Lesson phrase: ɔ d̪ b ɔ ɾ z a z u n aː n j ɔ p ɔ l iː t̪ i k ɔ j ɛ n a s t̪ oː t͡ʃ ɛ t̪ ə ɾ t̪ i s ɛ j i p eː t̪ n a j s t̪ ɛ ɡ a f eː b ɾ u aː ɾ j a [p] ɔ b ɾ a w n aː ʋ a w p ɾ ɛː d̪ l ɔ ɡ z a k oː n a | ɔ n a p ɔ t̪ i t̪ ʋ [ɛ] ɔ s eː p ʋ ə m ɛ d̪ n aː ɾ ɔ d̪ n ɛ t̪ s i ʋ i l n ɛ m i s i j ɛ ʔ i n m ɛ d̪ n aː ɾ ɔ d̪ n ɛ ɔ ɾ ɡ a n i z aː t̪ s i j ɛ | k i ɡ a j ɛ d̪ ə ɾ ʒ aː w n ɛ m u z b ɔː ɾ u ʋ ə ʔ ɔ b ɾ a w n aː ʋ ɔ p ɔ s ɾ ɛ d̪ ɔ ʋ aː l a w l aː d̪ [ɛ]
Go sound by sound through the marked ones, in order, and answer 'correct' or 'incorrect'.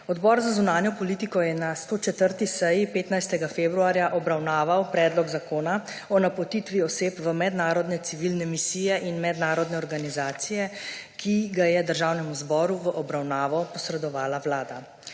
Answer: incorrect, incorrect, incorrect

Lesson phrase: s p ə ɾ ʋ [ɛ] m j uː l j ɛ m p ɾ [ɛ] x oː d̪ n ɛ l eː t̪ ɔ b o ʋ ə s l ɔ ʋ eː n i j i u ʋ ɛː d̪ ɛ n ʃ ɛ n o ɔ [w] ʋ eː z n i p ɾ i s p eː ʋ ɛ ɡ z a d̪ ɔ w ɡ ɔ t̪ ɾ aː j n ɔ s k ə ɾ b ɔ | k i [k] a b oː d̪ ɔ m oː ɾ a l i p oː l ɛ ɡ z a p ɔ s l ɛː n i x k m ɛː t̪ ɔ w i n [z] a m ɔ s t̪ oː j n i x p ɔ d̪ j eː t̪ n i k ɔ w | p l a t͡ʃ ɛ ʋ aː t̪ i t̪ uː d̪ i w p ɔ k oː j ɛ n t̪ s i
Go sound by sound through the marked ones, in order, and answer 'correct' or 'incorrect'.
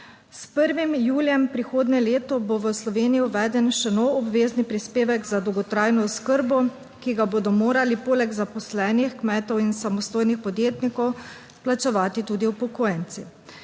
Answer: incorrect, incorrect, incorrect, incorrect, incorrect

